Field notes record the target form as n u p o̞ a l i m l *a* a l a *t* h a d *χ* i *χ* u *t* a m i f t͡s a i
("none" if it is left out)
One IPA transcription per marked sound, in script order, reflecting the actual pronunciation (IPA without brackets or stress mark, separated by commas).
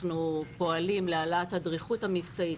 e, t, ʁ, χ, t